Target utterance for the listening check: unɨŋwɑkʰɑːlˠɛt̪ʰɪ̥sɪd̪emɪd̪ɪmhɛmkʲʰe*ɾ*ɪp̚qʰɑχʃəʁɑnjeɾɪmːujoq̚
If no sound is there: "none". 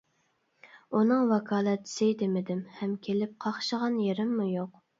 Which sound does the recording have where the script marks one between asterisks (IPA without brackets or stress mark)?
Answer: l